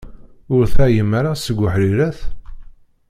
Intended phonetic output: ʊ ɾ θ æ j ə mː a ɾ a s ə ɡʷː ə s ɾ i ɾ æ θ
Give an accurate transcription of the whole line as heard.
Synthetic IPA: ʊ ɾ θ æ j ə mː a ɾ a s ə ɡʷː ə ħ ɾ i ɾ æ θ